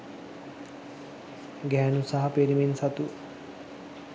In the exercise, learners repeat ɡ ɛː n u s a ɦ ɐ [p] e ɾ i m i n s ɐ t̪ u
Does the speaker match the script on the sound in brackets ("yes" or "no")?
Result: yes